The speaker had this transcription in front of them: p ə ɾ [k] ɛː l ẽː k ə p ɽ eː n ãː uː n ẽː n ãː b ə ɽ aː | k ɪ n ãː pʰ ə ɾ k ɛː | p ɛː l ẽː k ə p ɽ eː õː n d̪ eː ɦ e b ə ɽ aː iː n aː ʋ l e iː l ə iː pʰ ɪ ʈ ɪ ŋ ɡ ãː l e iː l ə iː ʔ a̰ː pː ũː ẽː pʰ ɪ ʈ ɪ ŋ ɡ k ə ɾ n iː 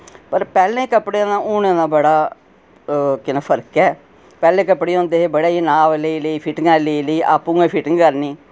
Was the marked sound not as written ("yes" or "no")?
yes